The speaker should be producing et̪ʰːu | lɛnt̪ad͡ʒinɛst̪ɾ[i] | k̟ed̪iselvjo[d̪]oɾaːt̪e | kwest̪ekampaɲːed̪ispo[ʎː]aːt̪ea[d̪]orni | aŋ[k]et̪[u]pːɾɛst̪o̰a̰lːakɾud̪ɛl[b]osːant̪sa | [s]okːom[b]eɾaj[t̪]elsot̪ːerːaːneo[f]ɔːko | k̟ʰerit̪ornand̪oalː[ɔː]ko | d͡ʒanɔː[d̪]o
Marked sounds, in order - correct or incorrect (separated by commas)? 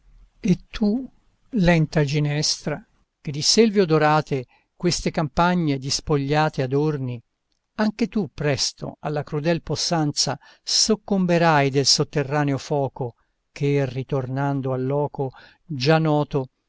incorrect, correct, correct, correct, correct, correct, incorrect, correct, correct, incorrect, correct, correct, incorrect